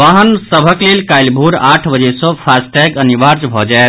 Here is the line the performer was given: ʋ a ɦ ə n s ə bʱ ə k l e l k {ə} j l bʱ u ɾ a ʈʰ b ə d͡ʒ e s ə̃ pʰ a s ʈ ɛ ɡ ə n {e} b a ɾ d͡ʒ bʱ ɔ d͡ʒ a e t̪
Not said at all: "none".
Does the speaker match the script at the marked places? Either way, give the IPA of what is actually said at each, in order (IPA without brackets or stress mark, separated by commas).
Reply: a, i